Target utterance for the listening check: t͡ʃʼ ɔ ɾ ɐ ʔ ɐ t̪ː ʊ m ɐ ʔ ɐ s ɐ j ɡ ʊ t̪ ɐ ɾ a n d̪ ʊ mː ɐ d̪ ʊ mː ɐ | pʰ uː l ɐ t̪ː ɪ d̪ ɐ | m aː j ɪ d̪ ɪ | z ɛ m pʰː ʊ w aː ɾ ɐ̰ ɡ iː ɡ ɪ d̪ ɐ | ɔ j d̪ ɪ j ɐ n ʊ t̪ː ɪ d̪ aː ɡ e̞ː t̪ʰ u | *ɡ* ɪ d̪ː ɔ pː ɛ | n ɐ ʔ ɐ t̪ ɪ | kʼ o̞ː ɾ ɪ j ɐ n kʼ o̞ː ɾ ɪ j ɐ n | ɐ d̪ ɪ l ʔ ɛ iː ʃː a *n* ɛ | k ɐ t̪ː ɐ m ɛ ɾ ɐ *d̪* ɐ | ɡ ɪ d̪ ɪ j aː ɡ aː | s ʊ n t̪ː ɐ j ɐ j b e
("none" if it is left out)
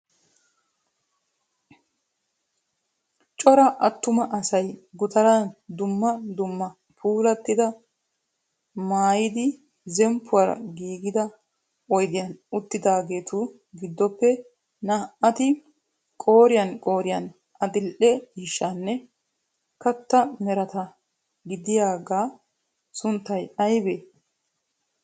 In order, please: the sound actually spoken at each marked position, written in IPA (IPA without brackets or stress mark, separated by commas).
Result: ɡ, nː, t̪